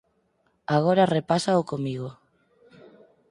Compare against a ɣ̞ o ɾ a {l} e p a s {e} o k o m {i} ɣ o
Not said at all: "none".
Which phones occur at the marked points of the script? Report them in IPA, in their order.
r, a, i

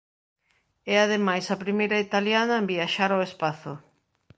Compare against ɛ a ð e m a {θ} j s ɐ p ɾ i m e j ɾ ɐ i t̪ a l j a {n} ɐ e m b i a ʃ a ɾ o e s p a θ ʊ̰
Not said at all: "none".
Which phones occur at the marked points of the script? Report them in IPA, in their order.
none, n

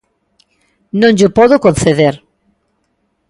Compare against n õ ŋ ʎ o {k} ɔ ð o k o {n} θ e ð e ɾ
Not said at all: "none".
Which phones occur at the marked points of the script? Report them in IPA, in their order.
p, n

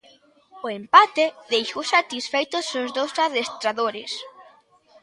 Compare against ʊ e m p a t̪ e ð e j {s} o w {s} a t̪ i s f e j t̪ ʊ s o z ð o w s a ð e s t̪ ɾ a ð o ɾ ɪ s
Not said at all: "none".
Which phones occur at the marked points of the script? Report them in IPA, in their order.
ʃ, s

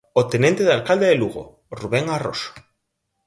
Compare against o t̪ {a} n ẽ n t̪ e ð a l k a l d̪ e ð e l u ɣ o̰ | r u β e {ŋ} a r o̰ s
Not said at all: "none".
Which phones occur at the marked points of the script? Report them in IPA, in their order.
e, ŋ

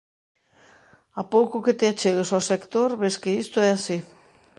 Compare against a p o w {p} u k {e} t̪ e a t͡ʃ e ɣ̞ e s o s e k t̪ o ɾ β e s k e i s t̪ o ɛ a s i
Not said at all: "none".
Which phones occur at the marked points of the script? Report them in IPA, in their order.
k, e

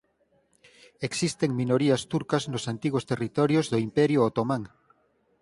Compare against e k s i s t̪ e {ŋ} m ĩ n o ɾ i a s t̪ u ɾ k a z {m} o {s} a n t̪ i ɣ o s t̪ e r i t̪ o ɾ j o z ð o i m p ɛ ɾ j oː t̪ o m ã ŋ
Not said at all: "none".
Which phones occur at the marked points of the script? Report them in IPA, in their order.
ŋ, n, s

